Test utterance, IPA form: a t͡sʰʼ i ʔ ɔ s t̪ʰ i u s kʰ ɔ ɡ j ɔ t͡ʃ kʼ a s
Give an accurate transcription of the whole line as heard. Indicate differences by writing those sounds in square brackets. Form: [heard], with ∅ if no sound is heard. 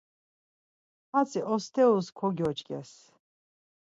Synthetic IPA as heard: a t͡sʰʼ i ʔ ɔ s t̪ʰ [ɛ] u s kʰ ɔ ɡ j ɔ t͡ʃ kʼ [ɛ] s

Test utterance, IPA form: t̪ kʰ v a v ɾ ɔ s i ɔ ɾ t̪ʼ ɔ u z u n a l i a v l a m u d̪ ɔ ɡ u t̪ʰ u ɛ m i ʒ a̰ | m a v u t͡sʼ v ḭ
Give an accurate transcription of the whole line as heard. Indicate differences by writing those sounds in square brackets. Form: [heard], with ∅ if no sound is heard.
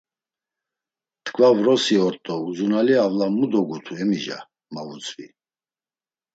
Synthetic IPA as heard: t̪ kʰ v a v ɾ ɔ s i ɔ ɾ t̪ʼ ɔ u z u n a l i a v l a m u d̪ ɔ ɡ u t̪ʰ u ɛ m i ʒ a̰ | m a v u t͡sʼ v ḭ

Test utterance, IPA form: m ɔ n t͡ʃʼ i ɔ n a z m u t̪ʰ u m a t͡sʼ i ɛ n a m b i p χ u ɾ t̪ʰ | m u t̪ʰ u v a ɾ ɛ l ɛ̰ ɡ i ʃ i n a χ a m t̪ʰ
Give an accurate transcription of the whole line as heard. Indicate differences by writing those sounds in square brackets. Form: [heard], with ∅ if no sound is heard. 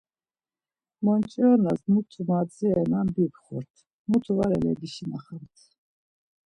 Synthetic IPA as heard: m ɔ n t͡ʃʼ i ɔ n a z m u t̪ʰ u m a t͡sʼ i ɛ n a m b i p χ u ɾ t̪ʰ | m u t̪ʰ u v a ɾ ɛ l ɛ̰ ɡ i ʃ i n a χ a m t̪ʰ

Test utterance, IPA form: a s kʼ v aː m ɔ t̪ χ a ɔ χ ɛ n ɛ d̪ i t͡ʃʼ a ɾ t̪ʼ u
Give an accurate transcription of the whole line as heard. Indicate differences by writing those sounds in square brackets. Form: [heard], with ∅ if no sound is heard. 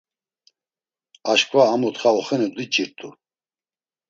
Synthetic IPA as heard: a [ʃ] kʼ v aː m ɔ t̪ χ a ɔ χ ɛ n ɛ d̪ i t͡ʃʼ [i] ɾ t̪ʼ u

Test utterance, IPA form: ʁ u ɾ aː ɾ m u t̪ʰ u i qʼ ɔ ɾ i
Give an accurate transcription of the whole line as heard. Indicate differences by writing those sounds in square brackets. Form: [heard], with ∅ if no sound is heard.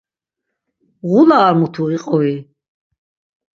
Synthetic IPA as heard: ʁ u [l] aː ɾ m u t̪ʰ u i qʼ ɔ [∅] i

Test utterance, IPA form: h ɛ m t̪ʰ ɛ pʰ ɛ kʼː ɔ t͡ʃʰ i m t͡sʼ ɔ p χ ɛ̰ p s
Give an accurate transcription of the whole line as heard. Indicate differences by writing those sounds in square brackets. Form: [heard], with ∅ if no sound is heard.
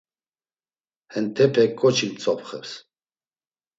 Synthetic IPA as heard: h ɛ [n] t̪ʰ ɛ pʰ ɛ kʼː ɔ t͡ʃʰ i m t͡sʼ ɔ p χ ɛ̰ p s

